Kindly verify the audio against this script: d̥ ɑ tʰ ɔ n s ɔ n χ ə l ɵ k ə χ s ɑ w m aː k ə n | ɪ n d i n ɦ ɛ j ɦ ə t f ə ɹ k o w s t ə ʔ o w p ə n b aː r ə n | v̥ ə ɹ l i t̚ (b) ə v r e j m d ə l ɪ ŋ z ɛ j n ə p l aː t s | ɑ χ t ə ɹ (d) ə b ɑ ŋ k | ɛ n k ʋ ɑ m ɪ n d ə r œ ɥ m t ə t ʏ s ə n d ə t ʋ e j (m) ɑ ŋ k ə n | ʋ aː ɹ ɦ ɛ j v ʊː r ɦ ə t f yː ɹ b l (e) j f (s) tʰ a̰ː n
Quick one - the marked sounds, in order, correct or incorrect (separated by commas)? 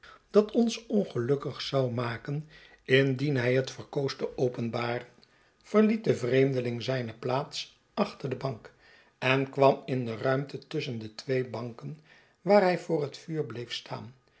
incorrect, correct, incorrect, correct, correct